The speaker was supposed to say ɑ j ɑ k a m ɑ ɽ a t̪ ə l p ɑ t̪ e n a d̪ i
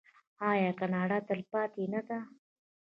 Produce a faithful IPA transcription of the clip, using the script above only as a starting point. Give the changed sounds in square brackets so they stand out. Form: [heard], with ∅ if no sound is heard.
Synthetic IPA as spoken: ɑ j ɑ k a [n] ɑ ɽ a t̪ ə l p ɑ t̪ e n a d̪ [a]